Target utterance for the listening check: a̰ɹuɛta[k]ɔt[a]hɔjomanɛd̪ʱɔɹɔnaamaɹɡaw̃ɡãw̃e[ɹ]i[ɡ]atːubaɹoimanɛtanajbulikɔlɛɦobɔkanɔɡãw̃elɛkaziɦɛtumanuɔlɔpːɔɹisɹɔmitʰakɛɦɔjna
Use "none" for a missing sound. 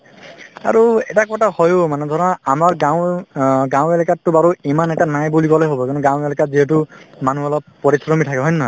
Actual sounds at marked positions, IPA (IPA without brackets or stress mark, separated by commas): k, a, l, k